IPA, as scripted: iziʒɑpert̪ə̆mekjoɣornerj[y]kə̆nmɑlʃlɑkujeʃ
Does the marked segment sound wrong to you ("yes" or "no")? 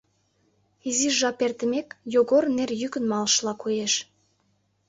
no